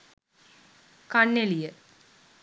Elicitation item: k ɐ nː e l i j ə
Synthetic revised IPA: k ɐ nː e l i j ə